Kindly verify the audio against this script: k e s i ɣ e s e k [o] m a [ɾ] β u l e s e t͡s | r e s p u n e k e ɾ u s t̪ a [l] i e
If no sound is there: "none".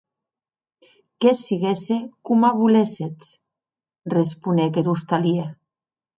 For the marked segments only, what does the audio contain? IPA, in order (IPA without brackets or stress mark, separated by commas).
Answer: u, none, l